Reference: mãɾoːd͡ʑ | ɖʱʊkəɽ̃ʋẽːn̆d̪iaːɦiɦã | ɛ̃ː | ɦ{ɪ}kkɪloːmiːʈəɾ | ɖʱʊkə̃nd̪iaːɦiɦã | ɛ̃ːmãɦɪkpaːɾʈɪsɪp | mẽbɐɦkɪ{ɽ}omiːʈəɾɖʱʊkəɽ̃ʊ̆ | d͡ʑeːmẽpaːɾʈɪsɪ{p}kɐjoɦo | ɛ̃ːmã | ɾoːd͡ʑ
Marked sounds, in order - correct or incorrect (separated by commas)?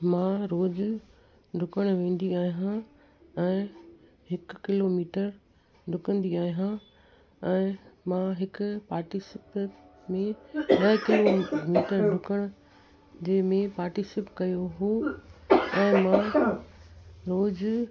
correct, incorrect, correct